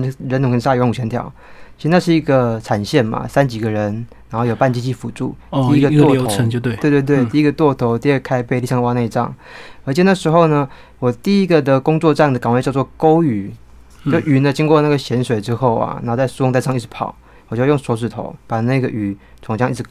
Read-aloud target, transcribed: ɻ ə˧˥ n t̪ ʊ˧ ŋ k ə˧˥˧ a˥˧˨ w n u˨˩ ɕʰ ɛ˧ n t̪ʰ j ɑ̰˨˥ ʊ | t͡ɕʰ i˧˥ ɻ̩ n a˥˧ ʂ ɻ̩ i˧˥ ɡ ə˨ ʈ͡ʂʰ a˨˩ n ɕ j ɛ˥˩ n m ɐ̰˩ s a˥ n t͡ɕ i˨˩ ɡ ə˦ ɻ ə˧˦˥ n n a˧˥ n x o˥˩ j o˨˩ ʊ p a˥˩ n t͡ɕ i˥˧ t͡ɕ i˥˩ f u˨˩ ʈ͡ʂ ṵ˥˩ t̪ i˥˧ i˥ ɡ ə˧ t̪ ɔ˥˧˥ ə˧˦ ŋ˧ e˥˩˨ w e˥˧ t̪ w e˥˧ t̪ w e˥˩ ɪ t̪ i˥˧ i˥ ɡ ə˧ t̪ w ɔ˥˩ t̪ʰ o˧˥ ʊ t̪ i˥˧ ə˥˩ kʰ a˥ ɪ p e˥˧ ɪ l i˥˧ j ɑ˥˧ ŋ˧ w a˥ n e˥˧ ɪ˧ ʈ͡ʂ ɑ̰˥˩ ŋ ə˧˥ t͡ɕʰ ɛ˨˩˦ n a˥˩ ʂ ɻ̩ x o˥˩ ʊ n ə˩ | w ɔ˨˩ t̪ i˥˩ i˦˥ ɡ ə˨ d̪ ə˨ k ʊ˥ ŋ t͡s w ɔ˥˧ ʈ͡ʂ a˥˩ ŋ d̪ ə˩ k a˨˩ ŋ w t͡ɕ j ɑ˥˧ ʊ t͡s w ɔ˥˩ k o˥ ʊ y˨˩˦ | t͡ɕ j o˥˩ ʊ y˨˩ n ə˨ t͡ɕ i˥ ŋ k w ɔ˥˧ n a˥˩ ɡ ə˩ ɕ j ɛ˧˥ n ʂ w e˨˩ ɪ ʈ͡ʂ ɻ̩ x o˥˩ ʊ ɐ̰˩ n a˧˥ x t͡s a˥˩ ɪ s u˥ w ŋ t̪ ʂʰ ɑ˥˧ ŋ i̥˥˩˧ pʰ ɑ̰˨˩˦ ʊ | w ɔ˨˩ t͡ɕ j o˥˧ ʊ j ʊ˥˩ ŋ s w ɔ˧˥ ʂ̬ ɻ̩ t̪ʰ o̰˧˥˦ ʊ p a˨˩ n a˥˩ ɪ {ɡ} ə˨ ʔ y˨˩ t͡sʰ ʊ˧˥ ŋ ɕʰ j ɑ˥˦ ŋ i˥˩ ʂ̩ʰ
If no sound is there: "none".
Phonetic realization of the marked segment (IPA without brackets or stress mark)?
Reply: ɡ